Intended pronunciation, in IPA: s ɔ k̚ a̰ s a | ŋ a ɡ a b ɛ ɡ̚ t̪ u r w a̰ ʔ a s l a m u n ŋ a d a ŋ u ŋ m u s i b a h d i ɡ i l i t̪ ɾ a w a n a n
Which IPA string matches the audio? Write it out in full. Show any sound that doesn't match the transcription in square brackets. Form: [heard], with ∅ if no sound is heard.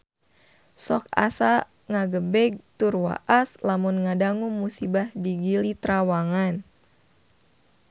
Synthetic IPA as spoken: s ɔ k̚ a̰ s a | ŋ a ɡ [ə] b ɛ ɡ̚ t̪ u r w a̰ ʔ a s l a m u n ŋ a d a ŋ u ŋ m u s i b a h d i ɡ i l i t̪ ɾ a w a [ŋ] a n